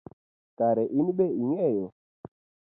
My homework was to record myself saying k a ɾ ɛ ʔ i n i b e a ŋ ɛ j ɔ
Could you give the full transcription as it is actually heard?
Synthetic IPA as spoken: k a ɾ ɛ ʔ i n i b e i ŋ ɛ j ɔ